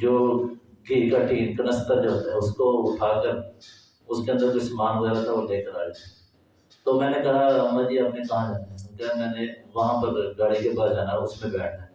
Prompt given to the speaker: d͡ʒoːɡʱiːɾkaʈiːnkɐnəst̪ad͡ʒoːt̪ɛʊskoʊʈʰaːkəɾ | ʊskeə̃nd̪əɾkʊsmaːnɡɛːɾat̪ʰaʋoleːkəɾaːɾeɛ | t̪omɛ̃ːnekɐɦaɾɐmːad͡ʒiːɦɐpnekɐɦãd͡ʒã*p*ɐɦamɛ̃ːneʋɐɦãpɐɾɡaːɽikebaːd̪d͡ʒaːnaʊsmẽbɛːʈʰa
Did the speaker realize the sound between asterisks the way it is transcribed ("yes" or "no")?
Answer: no